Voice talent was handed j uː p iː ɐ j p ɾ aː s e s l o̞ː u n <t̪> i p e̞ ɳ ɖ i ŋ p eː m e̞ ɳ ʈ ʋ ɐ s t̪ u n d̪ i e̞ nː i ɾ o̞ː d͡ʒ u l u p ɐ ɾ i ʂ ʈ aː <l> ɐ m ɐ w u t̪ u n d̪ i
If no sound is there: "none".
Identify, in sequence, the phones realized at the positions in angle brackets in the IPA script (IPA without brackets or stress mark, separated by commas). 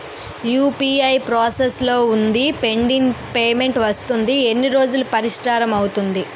d̪, ɾ